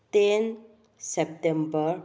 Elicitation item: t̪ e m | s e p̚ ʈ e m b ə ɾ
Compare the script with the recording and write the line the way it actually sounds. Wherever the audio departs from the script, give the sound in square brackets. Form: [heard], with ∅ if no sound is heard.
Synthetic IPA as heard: t̪ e [n] | s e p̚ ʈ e m b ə ɾ

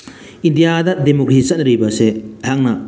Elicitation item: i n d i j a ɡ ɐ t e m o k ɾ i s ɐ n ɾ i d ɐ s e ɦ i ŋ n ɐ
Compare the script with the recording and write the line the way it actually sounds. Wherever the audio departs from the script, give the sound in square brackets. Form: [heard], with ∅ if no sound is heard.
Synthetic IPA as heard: i n d i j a [d] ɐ [d] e m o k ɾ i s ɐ n ɾ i [b] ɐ s e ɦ [a] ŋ n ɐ

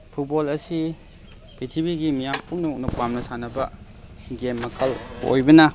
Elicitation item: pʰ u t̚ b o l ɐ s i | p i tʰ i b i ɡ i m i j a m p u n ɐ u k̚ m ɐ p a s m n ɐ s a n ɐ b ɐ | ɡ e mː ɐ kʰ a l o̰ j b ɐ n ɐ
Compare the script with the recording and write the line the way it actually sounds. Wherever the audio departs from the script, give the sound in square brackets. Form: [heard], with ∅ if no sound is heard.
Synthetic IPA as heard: pʰ u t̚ b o l ɐ s i | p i tʰ i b i ɡ i m i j a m p u n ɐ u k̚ [n] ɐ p a [∅] m n ɐ s a n ɐ b ɐ | ɡ e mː ɐ kʰ [ɐ] l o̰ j b ɐ n ɐ

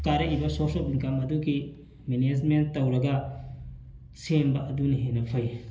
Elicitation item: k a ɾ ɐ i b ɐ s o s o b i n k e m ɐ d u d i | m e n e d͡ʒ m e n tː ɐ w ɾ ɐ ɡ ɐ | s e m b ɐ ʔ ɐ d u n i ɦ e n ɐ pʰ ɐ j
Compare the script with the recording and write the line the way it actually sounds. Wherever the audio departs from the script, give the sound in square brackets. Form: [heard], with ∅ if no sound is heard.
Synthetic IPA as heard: k a ɾ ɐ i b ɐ s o s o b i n k [a] m ɐ d u [ɡ] i | m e n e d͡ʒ m e n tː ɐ w ɾ ɐ ɡ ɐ | s e m b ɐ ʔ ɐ d u n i ɦ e n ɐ pʰ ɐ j

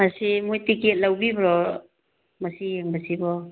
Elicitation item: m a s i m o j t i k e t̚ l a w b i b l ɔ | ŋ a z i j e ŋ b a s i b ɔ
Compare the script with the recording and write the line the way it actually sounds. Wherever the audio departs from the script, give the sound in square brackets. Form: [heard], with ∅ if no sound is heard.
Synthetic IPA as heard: m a s i m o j t i k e t̚ l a w b i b [ɾ] ɔ | [m] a [s] i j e ŋ b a s i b ɔ

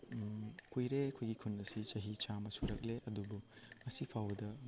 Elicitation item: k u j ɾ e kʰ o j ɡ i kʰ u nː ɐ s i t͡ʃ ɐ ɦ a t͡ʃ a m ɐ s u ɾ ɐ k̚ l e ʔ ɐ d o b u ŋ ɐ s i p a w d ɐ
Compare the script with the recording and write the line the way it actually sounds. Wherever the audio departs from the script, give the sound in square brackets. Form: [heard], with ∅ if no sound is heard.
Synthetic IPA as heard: k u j ɾ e kʰ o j ɡ i kʰ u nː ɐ s i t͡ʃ ɐ ɦ [i] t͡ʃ a m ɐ s u ɾ ɐ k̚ l e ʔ ɐ d [u] b u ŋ ɐ s i [pʰ] a w d ɐ

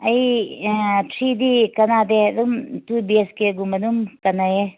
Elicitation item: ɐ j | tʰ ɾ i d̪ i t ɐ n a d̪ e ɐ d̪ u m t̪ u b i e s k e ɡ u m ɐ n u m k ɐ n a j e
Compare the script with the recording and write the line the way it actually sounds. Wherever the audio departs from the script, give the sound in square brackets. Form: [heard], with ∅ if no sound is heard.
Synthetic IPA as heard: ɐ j | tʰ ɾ i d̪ i [k] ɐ n a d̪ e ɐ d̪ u m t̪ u b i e s k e ɡ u m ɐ n u m k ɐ n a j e

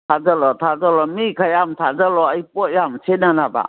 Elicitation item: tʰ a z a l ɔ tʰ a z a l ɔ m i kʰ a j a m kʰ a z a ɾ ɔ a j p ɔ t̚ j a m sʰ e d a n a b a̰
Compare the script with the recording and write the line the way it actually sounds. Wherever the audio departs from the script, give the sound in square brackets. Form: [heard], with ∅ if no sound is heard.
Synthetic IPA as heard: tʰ a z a l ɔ tʰ a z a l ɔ m i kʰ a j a m [tʰ] a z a [l] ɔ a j p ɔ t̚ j a m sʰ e [n] a n a b a̰

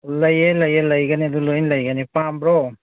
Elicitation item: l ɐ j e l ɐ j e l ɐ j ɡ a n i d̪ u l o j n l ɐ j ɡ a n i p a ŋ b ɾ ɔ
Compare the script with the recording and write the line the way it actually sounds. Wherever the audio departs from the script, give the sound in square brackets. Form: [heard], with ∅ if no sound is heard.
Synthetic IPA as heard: l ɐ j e l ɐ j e l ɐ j ɡ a n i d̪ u l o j n l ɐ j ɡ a n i p a [m] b ɾ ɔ

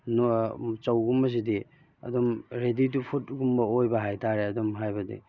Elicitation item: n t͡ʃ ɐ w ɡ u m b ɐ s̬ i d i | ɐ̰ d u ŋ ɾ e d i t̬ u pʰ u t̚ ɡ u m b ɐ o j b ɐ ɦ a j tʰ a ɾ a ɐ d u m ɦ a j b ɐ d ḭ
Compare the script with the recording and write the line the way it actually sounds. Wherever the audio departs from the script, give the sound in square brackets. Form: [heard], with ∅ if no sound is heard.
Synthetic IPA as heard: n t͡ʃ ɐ w ɡ u m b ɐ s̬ i d i | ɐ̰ d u [m] ɾ e d i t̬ u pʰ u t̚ ɡ u m b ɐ o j b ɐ ɦ a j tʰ a ɾ [e] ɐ d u m ɦ a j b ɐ d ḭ

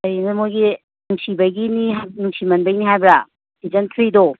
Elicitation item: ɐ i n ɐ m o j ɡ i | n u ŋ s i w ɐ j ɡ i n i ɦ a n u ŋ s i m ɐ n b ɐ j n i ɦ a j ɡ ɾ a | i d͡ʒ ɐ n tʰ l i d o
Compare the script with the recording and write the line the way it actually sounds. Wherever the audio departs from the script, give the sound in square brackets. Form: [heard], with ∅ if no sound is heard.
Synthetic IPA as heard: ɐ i n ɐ m o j ɡ i | n u ŋ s i [b] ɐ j ɡ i n i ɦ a n u ŋ s i m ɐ n b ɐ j n i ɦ a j [b] ɾ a | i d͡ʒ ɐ n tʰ [ɾ] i d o

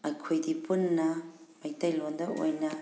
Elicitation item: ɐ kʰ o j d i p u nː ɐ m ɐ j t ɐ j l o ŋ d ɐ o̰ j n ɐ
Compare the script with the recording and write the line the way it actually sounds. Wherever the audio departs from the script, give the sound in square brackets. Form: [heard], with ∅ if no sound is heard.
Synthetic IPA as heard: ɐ kʰ o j d i p u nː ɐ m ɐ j t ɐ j l o [n] d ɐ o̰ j n ɐ

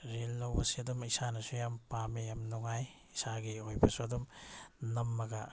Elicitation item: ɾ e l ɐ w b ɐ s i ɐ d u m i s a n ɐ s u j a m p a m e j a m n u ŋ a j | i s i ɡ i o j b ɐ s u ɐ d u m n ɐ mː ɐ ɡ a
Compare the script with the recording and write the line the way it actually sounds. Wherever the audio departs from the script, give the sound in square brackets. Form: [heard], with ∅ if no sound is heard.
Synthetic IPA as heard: ɾ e [lː] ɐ w b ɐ s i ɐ d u m i s a n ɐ s u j a m p a m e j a m n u ŋ a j | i s [a] ɡ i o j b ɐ s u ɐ d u m n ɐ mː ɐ ɡ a

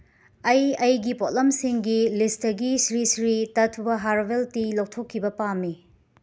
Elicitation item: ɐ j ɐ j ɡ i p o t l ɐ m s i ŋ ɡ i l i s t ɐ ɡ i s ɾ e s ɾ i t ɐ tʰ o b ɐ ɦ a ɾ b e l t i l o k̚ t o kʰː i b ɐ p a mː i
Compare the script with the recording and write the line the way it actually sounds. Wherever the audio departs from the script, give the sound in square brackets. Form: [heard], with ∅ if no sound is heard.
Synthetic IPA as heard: ɐ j ɐ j ɡ i p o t l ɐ m s i ŋ ɡ i l i s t ɐ ɡ i s ɾ [i] s ɾ i t ɐ tʰ [u] b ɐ ɦ a ɾ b e l t i l o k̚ [tʰ] o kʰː i b ɐ p a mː i

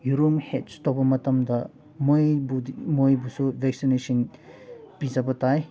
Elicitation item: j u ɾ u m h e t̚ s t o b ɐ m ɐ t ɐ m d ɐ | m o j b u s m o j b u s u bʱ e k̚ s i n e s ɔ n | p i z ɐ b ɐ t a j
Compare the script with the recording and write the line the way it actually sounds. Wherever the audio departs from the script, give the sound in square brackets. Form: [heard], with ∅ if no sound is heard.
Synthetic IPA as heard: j u ɾ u m h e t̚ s t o b ɐ m ɐ t ɐ m d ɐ | m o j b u [∅] m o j b u s u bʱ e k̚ s i n e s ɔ n | p i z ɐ b ɐ t a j

